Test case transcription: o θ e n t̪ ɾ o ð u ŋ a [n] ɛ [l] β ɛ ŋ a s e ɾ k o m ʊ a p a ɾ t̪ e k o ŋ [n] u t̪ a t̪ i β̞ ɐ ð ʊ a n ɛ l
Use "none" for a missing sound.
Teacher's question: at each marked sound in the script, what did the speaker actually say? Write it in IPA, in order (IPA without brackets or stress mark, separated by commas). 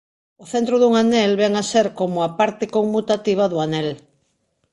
n, l, m